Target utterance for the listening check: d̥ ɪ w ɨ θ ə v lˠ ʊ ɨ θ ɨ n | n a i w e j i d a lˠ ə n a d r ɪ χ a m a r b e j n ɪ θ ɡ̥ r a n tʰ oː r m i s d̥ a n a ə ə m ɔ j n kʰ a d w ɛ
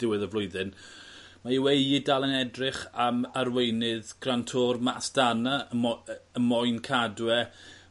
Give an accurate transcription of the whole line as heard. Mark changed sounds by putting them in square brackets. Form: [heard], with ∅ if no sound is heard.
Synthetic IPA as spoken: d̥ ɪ w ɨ [ð] ə v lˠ ʊ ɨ [ð] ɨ n | [m] a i w e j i d a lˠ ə n [ɛ] d r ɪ χ a m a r [w] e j n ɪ [ð] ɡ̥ r a n tʰ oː r m [a] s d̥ a n a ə ə m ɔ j n kʰ a d w ɛ